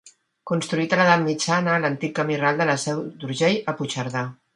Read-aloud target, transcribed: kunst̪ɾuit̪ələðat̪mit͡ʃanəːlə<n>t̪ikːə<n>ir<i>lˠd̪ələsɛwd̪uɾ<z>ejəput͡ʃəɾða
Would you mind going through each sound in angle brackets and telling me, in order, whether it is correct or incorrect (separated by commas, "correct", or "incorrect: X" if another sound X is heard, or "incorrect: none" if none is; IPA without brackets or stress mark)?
correct, incorrect: m, incorrect: a, incorrect: ʒ